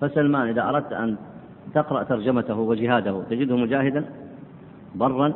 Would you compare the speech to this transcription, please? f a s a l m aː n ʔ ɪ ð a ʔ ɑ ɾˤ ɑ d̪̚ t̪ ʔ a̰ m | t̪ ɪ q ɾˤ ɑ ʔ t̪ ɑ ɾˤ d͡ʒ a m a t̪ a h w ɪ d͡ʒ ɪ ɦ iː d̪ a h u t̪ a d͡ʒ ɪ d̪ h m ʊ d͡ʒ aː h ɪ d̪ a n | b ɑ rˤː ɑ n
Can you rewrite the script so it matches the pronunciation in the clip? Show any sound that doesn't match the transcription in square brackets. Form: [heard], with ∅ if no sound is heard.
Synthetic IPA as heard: f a s a l m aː n ʔ ɪ ð a ʔ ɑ ɾˤ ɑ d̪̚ t̪ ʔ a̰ [n] | t̪ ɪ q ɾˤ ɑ ʔ t̪ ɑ ɾˤ d͡ʒ a m a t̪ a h w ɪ d͡ʒ ɪ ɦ [aː] d̪ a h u t̪ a d͡ʒ ɪ d̪ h m ʊ d͡ʒ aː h ɪ d̪ a n | b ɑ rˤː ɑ n